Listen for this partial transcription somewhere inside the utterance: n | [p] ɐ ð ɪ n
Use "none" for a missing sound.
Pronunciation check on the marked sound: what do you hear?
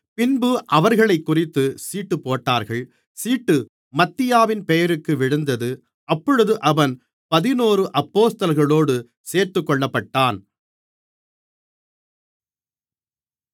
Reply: p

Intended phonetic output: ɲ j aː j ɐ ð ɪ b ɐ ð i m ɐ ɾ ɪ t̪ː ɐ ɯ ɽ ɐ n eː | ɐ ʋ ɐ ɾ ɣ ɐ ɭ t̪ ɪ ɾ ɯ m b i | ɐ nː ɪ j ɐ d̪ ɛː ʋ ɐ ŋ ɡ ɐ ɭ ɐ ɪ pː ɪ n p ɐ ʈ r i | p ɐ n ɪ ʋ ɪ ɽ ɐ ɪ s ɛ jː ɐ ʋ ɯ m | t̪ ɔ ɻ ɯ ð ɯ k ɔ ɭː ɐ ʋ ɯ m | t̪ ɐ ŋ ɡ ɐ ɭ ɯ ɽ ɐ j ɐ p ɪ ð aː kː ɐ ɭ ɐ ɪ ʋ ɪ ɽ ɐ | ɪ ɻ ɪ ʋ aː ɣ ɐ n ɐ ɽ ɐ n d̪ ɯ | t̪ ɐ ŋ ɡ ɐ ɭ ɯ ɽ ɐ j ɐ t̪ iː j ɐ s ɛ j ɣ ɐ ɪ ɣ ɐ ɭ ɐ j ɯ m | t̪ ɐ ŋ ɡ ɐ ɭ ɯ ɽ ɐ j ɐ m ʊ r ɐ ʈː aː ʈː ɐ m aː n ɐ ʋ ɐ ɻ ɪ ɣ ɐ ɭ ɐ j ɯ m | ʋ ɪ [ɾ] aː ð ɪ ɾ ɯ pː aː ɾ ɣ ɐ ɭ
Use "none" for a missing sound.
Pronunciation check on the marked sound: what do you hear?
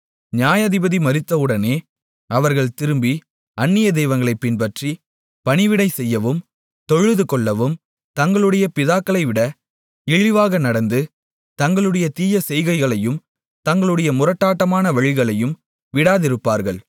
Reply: ɽ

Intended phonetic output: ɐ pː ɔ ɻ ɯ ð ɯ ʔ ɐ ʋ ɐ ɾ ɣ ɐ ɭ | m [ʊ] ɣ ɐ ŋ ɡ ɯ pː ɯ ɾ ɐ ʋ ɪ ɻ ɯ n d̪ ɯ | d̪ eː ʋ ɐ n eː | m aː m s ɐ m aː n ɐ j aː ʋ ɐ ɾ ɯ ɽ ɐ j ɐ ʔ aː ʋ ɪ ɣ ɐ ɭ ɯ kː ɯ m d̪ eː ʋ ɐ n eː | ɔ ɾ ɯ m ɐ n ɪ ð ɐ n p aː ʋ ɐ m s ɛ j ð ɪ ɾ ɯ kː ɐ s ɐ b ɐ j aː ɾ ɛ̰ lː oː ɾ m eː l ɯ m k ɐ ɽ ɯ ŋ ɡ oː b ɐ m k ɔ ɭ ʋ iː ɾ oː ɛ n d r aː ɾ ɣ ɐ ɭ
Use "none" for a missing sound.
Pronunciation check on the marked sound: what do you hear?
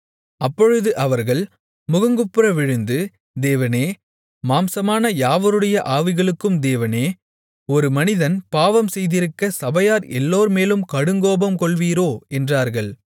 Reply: ʊ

